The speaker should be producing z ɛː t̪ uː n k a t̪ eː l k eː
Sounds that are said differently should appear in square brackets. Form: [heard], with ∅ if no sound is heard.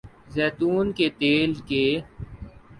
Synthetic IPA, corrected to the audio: z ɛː t̪ uː n k [e] t̪ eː l k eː